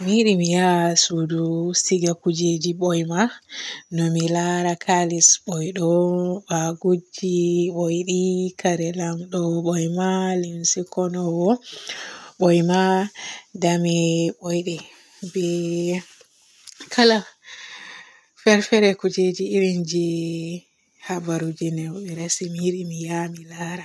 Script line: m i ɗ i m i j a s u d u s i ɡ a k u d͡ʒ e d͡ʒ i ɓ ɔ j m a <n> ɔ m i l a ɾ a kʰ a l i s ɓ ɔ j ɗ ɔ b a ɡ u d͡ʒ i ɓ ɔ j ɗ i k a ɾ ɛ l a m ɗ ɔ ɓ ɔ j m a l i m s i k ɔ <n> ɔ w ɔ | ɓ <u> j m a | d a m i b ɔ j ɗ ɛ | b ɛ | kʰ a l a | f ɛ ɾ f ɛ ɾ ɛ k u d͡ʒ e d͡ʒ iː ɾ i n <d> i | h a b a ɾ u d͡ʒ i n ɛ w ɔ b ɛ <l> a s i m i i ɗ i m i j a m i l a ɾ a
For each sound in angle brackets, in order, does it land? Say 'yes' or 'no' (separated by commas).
yes, yes, no, no, no